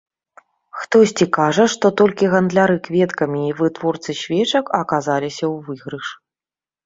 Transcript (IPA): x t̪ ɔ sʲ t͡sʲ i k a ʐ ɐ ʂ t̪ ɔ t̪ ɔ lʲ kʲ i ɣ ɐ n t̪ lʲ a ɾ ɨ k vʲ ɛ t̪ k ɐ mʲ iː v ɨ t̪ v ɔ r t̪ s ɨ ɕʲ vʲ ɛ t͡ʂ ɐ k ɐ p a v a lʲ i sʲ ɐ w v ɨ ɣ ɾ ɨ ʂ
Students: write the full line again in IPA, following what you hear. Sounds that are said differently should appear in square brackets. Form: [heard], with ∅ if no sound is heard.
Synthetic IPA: x t̪ ɔ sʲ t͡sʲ i k a ʐ ɐ ʂ t̪ ɔ t̪ ɔ lʲ kʲ i ɣ ɐ n [d̪] lʲ a ɾ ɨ k vʲ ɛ t̪ k ɐ mʲ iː v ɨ t̪ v ɔ r t̪ s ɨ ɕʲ vʲ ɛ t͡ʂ ɐ k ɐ [k] a [z] a lʲ i sʲ ɐ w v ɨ ɣ ɾ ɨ ʂ